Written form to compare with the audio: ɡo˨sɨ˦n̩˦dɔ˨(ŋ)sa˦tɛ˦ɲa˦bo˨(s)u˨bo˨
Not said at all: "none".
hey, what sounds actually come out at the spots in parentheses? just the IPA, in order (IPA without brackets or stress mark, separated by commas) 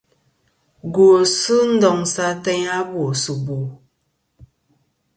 ŋ, s